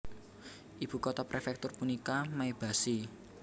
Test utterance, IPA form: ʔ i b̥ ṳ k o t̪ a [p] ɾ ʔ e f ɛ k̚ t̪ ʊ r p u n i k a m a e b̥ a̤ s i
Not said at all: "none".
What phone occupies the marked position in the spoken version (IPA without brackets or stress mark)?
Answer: p